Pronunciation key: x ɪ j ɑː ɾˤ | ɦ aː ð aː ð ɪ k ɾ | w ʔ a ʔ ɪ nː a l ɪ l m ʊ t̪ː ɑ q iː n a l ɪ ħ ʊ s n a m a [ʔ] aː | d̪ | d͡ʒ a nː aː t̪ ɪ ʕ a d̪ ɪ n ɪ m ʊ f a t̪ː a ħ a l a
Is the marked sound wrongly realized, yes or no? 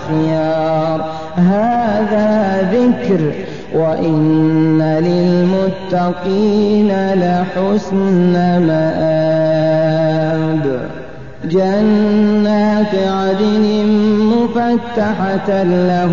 no